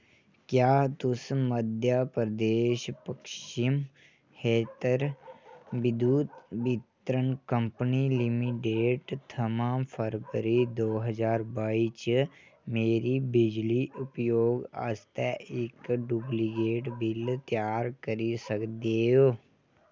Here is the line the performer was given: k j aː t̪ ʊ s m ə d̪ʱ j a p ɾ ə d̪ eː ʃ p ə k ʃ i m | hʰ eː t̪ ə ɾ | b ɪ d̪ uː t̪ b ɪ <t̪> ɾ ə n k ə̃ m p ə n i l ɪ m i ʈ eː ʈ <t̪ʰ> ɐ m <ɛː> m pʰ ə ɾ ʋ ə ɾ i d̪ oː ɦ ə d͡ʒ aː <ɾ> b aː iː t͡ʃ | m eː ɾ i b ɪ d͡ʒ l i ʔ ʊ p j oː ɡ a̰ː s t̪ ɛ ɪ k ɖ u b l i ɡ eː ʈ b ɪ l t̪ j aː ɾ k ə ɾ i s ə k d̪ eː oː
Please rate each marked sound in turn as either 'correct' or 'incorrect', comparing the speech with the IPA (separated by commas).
correct, correct, incorrect, correct